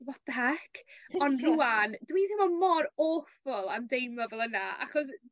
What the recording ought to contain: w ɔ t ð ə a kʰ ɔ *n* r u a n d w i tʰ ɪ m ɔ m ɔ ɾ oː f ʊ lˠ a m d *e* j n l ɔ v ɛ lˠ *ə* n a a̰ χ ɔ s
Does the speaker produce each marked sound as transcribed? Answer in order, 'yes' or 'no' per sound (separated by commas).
yes, yes, yes